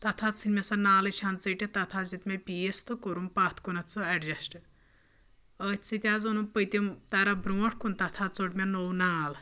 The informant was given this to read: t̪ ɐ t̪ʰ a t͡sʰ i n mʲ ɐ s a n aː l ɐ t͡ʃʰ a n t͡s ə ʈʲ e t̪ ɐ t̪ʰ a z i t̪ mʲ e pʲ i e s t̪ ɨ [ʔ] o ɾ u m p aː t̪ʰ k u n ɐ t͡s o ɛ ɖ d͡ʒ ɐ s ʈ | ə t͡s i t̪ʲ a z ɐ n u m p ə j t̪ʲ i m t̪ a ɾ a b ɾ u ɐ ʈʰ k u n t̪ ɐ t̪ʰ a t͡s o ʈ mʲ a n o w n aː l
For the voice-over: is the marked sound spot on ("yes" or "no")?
no